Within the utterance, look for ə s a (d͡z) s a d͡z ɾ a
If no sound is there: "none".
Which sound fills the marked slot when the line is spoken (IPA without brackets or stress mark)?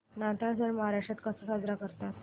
none